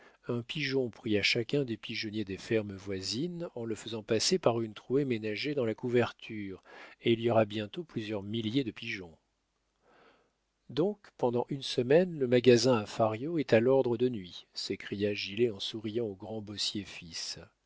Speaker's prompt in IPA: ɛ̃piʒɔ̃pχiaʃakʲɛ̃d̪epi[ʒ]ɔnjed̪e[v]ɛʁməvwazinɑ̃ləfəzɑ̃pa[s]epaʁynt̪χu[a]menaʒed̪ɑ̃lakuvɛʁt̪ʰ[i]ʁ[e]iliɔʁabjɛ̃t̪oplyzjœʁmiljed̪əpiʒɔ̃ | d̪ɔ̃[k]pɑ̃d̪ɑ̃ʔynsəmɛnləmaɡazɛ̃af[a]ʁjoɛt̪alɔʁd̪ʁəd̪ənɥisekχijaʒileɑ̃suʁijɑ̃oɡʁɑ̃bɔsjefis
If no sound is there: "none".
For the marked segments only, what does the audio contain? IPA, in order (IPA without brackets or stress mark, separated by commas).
ʒ, f, s, e, y, e, k, a